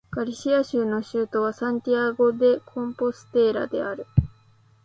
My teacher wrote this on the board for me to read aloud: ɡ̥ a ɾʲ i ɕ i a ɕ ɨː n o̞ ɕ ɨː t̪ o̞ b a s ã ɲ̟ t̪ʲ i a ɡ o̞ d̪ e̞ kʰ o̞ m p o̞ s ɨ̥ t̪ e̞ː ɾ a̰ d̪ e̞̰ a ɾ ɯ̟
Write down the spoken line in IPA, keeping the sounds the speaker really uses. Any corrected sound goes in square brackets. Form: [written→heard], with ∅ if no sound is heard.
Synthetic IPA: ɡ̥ a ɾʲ i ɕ i a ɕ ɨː n o̞ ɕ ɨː t̪ o̞ [b→β] a s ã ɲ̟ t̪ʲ i a ɡ o̞ d̪ e̞ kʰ [o̞→õ̞] m p o̞ s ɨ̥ t̪ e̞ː ɾ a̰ d̪ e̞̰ a ɾ ɯ̟